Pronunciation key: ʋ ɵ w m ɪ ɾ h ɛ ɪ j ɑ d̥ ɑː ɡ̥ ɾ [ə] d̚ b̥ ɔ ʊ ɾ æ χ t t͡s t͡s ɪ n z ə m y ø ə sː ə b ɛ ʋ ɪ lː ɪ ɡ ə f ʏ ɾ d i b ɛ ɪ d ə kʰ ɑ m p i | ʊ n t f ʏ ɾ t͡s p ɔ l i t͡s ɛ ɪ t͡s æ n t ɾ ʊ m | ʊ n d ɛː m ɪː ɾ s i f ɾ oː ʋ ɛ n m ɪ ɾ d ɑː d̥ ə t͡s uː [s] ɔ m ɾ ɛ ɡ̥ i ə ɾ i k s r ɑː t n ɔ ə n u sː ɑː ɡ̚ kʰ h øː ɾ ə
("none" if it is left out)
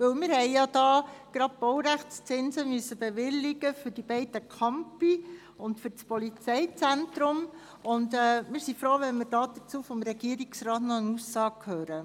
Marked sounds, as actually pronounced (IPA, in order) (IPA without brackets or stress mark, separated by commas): ɑ, f